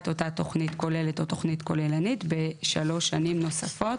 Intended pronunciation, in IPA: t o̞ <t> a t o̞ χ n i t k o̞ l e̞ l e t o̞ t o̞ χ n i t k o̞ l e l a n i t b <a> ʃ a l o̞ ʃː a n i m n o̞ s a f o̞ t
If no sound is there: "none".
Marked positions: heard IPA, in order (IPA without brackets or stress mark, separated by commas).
t, e